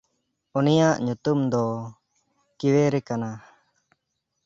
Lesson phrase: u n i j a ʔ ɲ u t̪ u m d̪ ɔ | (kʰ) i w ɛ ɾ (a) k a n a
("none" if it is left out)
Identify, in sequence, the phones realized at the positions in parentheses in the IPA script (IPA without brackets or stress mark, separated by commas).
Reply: k, ɛ